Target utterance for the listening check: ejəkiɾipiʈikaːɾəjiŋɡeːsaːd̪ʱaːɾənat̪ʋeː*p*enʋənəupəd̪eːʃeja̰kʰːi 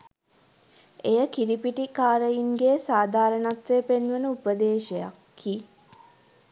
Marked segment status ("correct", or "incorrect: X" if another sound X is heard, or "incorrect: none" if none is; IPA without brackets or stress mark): correct